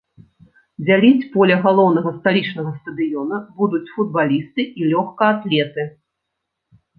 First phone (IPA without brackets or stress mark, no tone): d͡zʲ